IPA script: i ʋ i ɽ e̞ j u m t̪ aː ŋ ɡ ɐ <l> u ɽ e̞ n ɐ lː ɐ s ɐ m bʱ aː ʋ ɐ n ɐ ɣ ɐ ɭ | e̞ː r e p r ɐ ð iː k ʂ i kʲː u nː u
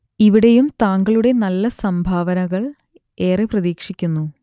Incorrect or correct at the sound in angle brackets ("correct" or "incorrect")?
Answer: incorrect